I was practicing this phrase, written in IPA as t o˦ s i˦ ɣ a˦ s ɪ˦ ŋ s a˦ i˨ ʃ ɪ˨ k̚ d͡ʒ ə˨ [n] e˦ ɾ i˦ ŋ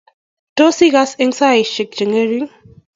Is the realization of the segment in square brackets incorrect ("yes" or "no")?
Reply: yes